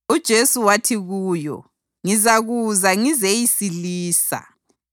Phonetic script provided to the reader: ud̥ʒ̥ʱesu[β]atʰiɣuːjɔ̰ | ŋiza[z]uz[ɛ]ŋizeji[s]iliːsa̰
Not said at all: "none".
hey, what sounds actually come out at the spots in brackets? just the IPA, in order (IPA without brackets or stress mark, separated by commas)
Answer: w, ɣ, a, s